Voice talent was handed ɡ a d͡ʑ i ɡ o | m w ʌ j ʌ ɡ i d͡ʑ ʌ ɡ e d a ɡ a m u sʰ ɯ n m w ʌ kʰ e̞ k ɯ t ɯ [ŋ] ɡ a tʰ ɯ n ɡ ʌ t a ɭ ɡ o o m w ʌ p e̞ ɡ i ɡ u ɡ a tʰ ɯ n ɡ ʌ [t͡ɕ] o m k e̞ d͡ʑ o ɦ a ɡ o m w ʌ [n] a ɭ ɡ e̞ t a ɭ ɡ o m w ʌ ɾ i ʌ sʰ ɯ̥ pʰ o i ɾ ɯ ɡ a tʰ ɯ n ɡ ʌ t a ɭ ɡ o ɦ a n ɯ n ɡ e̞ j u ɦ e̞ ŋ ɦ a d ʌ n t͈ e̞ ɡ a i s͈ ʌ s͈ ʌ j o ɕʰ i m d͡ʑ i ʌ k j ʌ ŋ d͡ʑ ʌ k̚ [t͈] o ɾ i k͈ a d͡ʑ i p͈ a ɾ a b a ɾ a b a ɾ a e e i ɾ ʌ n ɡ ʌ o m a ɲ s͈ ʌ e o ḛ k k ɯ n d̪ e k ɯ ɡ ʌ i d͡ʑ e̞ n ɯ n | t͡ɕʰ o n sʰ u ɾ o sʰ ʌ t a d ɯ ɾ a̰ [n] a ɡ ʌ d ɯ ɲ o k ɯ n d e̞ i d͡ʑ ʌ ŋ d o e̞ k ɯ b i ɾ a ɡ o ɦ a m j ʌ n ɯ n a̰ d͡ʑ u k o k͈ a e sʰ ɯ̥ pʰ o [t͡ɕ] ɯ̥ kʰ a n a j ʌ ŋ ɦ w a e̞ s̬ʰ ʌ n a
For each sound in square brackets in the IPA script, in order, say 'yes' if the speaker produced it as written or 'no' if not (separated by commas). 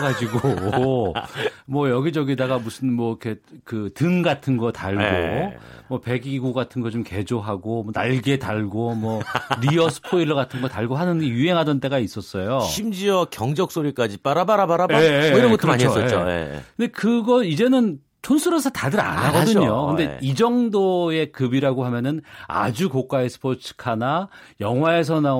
yes, yes, yes, no, yes, no